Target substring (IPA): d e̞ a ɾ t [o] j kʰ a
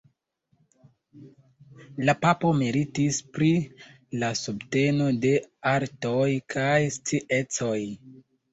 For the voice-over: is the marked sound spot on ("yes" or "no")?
yes